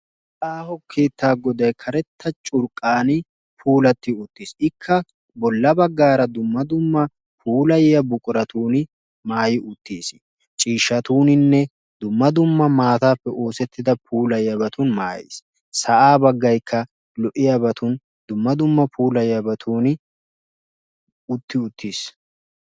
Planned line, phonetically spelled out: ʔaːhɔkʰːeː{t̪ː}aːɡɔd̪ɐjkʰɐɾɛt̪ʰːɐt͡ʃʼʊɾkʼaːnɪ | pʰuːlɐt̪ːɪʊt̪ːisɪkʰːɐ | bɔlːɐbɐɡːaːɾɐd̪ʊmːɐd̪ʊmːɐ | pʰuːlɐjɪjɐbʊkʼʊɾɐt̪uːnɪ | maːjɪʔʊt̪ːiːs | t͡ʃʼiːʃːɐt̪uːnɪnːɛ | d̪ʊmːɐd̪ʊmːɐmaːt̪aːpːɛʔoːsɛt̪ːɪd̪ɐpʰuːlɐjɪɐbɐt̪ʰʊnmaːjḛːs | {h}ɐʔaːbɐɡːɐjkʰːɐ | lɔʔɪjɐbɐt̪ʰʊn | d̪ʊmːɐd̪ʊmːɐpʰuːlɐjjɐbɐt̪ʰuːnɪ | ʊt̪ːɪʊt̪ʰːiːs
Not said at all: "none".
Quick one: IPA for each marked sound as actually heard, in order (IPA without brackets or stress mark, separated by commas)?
t̪ː, s